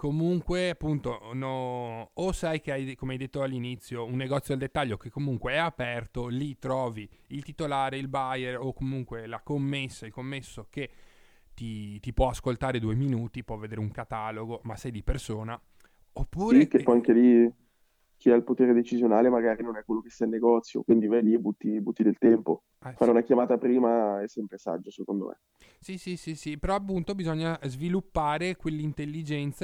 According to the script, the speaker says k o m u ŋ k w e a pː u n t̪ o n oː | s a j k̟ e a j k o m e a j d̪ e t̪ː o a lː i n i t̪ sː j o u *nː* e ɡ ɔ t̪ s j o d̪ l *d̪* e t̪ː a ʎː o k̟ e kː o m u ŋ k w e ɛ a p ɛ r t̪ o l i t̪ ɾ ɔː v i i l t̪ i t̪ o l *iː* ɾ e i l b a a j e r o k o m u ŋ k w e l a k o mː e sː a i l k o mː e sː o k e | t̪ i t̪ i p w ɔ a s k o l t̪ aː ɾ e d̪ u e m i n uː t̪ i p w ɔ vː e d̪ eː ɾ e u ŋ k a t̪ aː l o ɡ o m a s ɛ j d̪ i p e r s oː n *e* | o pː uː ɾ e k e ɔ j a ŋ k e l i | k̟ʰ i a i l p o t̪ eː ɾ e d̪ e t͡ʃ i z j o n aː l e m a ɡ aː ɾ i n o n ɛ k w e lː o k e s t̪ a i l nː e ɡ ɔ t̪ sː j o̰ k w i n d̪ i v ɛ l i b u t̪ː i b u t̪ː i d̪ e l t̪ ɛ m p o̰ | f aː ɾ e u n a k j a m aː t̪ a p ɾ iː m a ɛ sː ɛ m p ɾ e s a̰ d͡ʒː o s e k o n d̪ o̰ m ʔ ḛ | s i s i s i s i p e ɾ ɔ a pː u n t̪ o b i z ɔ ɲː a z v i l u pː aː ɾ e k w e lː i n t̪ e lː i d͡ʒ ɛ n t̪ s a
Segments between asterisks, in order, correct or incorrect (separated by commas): correct, correct, incorrect, incorrect